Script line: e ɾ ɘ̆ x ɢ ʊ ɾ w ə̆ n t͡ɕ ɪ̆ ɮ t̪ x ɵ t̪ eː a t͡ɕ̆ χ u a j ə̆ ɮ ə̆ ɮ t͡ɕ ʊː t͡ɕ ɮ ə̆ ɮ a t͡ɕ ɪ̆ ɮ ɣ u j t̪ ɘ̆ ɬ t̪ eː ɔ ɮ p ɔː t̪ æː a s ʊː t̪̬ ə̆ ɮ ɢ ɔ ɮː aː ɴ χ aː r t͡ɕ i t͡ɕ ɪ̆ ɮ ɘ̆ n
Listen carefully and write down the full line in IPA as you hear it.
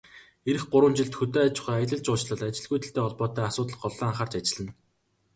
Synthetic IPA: e ɾ ɘ̆ x ɢ ʊ ɾ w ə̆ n t͡ɕ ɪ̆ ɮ t̪ x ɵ t̪ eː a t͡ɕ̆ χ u a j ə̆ ɮ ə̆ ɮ t͡ɕ ʊː t͡ɕ ɮ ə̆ ɮ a t͡ɕ ɪ̆ ɮ ɣ u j t̪ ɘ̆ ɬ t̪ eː ɔ ɮ p ɔː t̪ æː a s ʊː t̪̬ ə̆ ɮ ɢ ɔ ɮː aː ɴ χ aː r t͡ɕ a t͡ɕ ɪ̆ ɮ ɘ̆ n

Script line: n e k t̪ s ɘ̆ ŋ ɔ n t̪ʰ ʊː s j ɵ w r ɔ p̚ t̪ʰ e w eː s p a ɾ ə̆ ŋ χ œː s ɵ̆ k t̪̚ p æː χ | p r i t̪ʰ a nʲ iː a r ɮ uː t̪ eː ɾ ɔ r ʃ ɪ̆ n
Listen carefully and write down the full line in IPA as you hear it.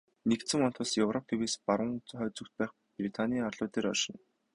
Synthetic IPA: n e k t̪ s ɘ̆ ŋ ɔ n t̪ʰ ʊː s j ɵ w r ɔ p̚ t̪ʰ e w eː s p a ɾ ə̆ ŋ χ œː t͡s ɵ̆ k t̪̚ p æː χ | p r i t̪ʰ a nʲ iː a r ɮ ʊː t̪ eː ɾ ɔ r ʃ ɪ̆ n

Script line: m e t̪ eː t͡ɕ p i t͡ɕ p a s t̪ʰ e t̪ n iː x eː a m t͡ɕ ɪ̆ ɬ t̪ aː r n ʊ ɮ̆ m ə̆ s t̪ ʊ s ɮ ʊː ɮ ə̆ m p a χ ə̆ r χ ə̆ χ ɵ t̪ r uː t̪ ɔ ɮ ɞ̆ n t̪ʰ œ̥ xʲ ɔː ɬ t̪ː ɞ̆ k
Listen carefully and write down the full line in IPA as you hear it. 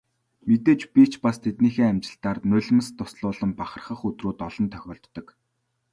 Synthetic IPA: m e t̪ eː t͡ɕ p i t͡ɕ p a s t̪ʰ e t̪ n iː x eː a m t͡ɕ ɪ̆ ɬ t̪ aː r n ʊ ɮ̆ m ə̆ s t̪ ʊ s ɮ ʊː ɮ ə̆ m p a χ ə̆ r χ ə̆ χ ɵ t̪ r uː t̪ ɔ ɮ ɞ̆ n t̪ʰ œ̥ xʲ ɔː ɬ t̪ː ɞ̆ k

